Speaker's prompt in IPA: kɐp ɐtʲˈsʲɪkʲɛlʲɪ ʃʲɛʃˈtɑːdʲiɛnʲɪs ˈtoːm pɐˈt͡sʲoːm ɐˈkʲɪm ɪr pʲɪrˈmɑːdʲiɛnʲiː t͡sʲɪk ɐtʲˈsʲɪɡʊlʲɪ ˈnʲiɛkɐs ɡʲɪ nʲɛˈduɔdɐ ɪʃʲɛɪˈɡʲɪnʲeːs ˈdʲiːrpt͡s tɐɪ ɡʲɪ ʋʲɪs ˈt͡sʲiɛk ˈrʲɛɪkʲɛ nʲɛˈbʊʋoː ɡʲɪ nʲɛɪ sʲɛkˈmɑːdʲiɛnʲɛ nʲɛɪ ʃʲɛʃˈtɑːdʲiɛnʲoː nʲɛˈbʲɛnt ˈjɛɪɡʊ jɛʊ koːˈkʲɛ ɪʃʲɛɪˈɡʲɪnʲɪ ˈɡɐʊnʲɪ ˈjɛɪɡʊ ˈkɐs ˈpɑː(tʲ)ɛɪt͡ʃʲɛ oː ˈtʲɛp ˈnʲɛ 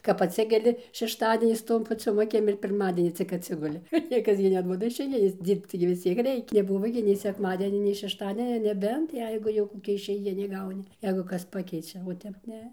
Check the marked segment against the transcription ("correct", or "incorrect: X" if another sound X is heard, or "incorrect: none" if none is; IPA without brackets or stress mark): incorrect: kʲ